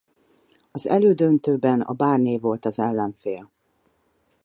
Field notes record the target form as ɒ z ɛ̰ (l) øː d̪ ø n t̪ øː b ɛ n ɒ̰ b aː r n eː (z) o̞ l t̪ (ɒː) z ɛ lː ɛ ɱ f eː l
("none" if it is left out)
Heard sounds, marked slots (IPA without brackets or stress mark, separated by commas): l, v, ɒ